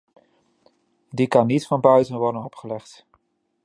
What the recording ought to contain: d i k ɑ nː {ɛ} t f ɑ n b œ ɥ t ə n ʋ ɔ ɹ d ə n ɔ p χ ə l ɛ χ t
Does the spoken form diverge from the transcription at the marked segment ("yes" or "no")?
yes